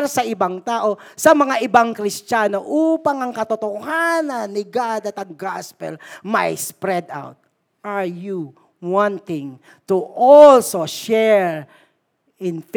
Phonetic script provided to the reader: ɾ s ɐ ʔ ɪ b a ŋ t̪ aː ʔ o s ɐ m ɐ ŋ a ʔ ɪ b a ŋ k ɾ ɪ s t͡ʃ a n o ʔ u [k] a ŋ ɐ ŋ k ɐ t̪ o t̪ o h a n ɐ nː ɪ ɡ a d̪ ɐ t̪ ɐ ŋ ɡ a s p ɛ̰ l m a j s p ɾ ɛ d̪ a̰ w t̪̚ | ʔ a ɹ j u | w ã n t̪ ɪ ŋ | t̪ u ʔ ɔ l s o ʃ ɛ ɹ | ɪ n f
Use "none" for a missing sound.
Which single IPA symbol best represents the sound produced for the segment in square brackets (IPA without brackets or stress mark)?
p